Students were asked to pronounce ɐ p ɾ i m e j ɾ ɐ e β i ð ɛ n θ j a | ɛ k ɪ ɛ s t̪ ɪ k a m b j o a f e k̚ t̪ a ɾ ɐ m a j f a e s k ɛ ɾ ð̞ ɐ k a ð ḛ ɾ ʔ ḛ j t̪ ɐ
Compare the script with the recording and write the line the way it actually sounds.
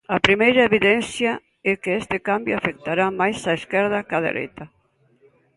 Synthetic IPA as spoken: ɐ p ɾ i m e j ɾ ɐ e β i ð ɛ n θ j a | ɛ k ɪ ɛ s t̪ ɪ k a m b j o a f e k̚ t̪ a ɾ a m a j s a e s k ɛ ɾ ð̞ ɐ k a ð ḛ ɾ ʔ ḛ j t̪ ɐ